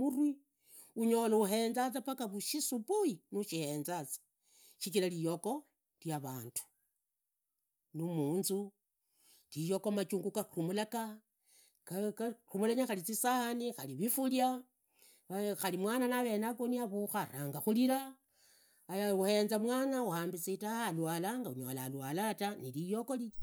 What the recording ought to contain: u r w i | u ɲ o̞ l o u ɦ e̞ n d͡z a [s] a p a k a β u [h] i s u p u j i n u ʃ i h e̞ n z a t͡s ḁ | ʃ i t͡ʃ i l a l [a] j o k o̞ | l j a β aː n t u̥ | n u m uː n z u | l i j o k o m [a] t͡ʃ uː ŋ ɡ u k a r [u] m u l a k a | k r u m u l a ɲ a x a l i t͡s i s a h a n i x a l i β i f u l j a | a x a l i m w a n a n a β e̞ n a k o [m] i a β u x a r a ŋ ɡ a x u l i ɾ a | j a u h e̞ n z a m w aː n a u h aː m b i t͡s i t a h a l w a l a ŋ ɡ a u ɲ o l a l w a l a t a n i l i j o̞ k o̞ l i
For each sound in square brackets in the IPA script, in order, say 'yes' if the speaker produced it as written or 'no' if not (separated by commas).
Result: no, no, no, yes, yes, no